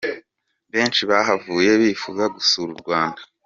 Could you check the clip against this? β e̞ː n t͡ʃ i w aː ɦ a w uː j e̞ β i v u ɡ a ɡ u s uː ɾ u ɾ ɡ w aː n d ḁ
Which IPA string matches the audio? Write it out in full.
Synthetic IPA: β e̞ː n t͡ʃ i β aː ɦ a v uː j e̞ β i f u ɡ a ɡ u s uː ɾ u ɾ ɡ w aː n d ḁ

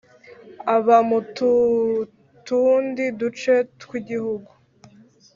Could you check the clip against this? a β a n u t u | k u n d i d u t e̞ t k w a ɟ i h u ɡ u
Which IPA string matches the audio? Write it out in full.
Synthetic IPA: a β a m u t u | t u n d i d u t͡ʃ e̞ t k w i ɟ i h u ɡ u

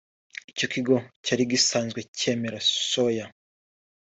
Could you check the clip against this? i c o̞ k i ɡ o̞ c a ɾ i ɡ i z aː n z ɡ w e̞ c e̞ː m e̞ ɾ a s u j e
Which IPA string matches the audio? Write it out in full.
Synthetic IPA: i c o̞ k i ɡ o̞ c a ɾ i ɡ i s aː n z ɡ w e̞ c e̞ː m e̞ ɾ a s o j a

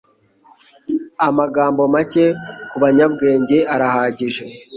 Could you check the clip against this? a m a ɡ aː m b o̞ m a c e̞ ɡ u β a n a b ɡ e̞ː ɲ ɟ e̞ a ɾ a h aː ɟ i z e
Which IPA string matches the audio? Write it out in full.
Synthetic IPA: a m a ɡ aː m b o̞ m a c e̞ k u β a ɲ a b ɡ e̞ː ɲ ɟ e̞ a ɾ a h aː ɟ i ʒ e

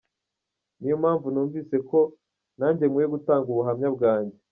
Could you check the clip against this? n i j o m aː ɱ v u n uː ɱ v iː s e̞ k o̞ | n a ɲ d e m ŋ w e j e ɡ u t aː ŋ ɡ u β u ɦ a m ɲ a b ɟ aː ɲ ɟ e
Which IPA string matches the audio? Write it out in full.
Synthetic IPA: n i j o m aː ɱ v u n uː ɱ v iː s e̞ k o̞ | n a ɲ ɟ e m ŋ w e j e ɡ u t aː ŋ ɡ u β u ɦ a m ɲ a b ɡ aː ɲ ɟ e

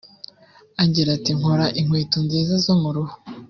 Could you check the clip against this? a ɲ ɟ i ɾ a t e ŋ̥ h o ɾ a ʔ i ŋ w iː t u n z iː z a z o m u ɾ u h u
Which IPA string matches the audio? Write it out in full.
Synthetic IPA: a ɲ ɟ i ɾ a t i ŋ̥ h o ɾ a ʔ i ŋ w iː t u n z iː z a z o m u ɾ u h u

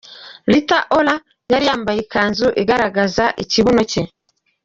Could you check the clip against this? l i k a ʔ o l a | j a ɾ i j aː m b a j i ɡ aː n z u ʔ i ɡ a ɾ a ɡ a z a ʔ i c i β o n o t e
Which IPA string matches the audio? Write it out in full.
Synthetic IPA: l i t a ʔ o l a | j a ɾ i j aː m b a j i k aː n z u ʔ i ɡ a ɾ a ɡ a z a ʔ i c i β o n o c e

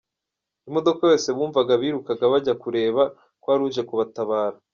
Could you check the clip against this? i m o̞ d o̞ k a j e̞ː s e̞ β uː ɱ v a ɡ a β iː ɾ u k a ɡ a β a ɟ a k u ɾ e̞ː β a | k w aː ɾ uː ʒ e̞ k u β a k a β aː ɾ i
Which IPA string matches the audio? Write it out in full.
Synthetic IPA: i m o̞ d o̞ k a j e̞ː s e̞ β uː ɱ v a ɡ a β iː ɾ u k a ɡ a β a ɟ a k u ɾ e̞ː β a | k w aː ɾ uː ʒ e̞ k u β a t a β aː ɾ a

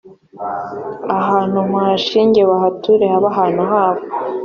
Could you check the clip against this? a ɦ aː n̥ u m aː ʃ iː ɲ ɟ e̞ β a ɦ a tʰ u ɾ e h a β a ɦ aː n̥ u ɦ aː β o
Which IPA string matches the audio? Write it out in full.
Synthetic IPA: a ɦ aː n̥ u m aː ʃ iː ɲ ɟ e̞ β a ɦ a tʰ u ɾ e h a β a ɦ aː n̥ u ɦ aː β o

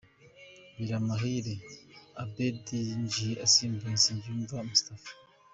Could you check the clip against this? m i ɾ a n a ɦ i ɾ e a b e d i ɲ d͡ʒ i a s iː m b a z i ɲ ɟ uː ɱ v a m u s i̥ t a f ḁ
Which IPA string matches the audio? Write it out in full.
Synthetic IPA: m i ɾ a m a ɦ i ɾ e a b e d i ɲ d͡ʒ i a s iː m b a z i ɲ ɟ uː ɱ v a m u s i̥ t a f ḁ

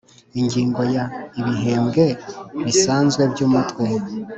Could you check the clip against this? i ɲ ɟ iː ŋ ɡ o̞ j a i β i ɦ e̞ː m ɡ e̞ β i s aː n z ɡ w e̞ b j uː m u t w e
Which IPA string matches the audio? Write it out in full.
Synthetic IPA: i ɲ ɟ iː ŋ ɡ o̞ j a i β i ɦ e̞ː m ɡ e̞ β i s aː n z ɡ w e̞ b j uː m u t w e

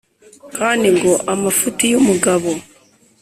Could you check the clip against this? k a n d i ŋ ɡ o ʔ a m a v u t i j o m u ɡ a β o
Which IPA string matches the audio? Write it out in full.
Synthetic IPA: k a n d i ŋ ɡ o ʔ a m a f u t i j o m u ɡ a β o

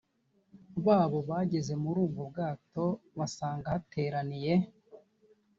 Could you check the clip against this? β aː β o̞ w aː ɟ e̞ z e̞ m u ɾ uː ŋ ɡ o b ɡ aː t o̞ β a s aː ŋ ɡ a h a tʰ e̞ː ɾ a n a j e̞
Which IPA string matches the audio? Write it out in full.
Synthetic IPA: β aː β o̞ β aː ɟ e̞ z e̞ m u ɾ uː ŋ ɡ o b ɡ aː t o̞ β a s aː ŋ ɡ a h a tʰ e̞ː ɾ a n i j e̞

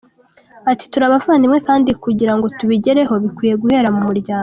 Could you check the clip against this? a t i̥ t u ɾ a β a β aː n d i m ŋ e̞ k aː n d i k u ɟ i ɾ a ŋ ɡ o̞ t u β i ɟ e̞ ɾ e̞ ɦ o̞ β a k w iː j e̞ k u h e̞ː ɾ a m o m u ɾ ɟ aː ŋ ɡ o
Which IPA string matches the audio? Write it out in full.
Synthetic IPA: a t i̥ t u ɾ a β a v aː n d i m ŋ e̞ k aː n d i k u ɟ i ɾ a ŋ ɡ o̞ t u β i ɟ e̞ ɾ e̞ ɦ o̞ β i k w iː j e̞ ɡ u h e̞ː ɾ a m u m u ɾ ɟ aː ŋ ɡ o

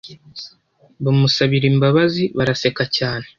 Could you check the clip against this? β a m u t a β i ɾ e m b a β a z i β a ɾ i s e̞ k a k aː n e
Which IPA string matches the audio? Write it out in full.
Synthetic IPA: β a m u s a β i ɾ i m b a β a z i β a ɾ a s e̞ k a c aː n e

